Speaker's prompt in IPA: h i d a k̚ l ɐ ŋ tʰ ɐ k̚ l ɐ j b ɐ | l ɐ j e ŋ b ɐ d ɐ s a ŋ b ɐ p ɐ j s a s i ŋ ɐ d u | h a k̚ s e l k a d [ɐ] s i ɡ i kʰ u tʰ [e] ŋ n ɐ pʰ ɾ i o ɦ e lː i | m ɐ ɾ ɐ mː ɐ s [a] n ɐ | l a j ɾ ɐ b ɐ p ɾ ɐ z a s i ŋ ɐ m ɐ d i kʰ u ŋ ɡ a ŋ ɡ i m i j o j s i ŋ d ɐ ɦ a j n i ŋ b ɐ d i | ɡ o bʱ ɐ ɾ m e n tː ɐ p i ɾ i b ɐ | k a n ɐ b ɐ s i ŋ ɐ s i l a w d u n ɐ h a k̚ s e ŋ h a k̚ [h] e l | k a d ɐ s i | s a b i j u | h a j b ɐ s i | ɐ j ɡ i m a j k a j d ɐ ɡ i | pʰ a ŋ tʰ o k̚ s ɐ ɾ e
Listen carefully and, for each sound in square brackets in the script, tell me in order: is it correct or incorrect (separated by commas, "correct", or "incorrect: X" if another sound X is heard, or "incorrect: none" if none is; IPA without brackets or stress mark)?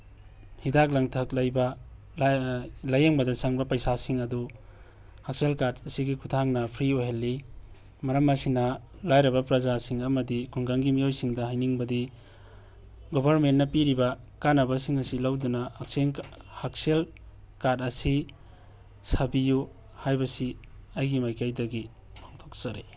correct, incorrect: a, incorrect: i, incorrect: s